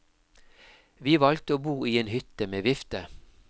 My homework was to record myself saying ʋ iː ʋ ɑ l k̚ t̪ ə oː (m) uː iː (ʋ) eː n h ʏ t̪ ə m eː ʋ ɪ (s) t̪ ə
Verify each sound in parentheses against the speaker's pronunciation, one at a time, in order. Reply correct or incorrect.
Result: incorrect, incorrect, incorrect

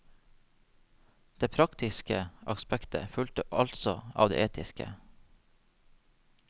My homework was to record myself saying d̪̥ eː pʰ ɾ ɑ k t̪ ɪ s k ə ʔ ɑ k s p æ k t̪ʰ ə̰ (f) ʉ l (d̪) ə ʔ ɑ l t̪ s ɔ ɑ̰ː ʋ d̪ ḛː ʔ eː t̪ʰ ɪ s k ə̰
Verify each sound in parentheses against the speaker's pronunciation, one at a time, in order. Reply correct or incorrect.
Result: correct, incorrect

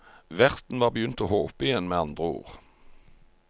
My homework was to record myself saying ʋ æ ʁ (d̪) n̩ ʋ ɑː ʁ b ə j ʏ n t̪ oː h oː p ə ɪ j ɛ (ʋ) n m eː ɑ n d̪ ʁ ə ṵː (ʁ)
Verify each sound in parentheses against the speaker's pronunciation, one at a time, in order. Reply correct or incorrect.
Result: incorrect, incorrect, correct

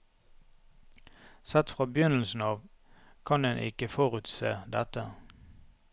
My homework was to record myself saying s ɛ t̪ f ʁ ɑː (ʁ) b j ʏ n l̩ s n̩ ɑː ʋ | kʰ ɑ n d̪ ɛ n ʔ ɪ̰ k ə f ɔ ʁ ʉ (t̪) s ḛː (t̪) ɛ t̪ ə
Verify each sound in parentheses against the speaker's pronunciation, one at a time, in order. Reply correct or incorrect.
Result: incorrect, correct, incorrect

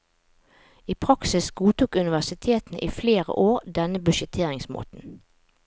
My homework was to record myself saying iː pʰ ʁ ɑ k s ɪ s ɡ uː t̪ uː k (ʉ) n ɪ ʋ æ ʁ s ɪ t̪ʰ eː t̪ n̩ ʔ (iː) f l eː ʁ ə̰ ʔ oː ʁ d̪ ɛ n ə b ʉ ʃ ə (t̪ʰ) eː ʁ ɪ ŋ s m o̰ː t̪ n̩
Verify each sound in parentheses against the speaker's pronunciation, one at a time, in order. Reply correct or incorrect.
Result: correct, correct, correct

